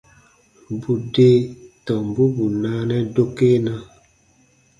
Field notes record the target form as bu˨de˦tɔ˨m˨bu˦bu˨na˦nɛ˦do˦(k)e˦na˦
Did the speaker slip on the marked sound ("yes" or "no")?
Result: no